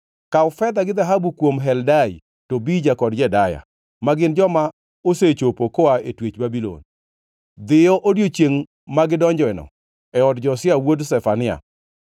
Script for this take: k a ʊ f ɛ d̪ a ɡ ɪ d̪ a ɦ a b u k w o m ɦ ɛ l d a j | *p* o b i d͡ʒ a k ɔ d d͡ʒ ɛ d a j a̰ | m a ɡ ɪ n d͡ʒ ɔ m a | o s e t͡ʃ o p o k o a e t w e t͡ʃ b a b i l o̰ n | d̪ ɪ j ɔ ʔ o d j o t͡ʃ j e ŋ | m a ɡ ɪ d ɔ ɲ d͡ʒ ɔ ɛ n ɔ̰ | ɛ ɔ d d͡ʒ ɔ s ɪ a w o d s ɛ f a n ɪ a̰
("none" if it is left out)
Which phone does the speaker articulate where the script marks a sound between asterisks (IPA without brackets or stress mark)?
t